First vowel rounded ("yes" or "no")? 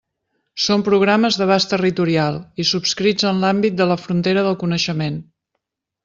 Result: yes